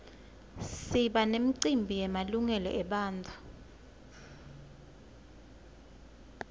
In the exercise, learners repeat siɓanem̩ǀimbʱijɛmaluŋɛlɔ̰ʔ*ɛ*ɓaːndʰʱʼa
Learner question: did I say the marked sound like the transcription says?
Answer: yes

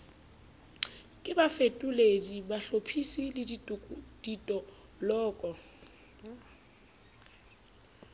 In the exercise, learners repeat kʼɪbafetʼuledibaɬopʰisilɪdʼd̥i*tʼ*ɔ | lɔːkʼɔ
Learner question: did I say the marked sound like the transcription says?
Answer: yes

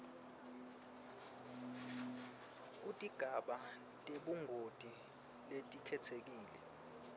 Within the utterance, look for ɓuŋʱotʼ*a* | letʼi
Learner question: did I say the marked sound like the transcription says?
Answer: no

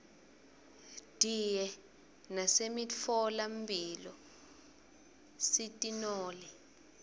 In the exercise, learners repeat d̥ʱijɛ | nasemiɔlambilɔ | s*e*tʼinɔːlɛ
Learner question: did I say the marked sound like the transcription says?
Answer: no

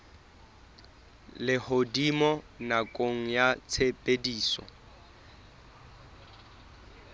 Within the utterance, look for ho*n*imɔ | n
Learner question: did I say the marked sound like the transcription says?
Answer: no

